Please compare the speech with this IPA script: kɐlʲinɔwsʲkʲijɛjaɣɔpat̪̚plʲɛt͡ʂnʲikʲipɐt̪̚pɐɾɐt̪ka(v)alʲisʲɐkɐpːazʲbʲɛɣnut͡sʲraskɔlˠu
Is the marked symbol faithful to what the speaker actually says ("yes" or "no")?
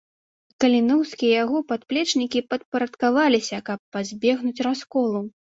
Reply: yes